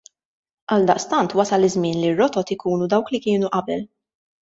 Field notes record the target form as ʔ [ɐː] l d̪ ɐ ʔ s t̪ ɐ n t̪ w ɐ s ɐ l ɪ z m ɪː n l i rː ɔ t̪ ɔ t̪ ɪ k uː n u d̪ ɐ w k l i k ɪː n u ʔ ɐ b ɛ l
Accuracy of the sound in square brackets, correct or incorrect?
incorrect